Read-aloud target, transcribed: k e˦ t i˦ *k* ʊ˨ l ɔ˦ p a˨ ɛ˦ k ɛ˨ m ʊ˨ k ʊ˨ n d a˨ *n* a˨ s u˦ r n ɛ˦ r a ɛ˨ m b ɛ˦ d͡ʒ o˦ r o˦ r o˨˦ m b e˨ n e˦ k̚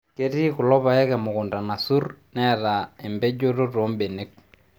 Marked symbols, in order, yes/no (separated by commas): yes, yes